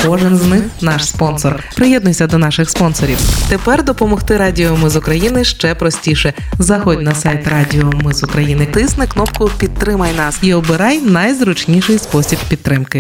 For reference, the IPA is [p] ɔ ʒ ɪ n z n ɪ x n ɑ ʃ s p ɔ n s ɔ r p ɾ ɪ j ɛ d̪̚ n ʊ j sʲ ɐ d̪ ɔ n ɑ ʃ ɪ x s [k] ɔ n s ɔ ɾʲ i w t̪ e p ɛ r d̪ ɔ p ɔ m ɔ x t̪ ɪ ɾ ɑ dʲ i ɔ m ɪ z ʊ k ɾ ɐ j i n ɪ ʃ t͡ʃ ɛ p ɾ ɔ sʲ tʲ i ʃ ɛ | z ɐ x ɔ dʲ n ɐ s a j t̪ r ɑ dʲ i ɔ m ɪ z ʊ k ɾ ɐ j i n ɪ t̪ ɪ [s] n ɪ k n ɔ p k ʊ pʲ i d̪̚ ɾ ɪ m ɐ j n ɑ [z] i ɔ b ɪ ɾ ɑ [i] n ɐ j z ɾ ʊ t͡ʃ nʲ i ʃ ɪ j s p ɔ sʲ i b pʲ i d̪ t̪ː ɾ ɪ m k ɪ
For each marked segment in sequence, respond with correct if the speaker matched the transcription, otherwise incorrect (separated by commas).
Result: incorrect, incorrect, correct, incorrect, incorrect